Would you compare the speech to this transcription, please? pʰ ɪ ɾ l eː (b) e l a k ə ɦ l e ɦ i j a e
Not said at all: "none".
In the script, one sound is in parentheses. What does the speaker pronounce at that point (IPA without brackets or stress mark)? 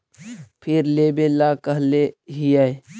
b